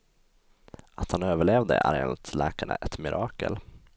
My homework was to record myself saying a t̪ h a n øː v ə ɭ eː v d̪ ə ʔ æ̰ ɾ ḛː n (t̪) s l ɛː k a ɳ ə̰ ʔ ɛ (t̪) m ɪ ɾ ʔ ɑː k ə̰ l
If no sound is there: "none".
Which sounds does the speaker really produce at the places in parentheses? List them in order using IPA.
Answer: t̪, t̪

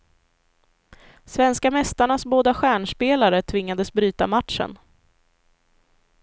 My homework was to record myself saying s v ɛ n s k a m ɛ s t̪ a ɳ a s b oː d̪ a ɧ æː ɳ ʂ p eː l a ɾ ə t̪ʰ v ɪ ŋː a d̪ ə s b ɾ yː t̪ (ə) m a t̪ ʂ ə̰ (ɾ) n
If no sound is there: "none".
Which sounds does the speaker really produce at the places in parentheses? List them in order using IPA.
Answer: a, none

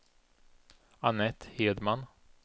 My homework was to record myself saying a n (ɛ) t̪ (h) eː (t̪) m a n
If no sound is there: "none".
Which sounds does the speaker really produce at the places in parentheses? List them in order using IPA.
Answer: ɛ, h, d̪

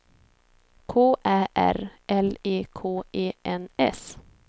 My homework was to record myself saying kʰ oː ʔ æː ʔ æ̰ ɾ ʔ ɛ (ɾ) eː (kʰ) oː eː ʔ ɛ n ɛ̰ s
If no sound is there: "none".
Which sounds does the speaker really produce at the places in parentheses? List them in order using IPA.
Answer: l, kʰ

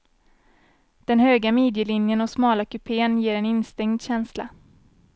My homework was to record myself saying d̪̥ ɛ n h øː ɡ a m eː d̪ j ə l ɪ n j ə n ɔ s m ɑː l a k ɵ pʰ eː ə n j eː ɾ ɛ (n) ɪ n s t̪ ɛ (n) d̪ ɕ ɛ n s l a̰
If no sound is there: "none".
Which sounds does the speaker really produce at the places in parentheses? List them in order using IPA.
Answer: n, ŋ

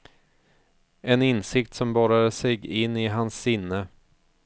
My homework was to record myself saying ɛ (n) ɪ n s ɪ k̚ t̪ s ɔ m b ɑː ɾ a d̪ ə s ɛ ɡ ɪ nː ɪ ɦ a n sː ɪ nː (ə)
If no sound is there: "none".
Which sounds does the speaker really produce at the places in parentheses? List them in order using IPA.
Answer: n, ə

